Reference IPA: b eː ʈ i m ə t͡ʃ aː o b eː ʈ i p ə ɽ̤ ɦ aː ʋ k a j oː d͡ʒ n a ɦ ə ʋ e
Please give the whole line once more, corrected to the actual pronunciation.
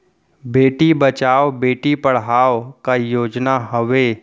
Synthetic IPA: b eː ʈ i b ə t͡ʃ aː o b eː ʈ i p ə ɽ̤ ɦ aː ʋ k a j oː d͡ʒ n a ɦ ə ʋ e